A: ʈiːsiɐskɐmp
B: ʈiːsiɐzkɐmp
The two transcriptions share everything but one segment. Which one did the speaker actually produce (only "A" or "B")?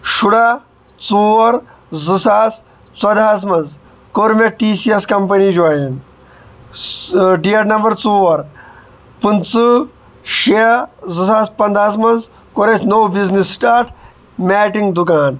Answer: A